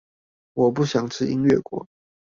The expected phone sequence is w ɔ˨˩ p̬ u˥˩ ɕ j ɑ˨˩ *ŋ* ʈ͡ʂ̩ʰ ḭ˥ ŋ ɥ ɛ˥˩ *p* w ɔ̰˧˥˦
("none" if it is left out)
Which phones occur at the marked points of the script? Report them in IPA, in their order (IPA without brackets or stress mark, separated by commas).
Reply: ŋ, k